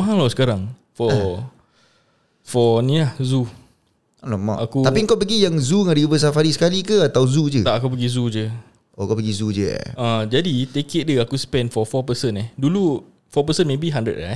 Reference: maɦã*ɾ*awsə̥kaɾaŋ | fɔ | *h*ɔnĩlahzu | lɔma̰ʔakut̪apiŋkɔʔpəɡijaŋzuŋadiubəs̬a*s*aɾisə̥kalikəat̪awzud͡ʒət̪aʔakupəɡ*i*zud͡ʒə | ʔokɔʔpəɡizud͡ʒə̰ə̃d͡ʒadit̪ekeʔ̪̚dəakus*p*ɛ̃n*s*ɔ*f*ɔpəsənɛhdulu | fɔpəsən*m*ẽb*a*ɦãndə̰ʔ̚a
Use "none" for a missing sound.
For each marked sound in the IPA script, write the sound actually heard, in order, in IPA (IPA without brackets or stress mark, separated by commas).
l, f, f, i, p, f, f, m, i